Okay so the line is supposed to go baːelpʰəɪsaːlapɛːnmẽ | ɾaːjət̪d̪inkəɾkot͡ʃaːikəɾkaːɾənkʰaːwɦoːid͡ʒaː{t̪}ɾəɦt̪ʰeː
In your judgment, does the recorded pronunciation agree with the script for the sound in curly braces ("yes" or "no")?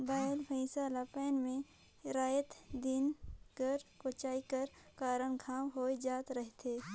yes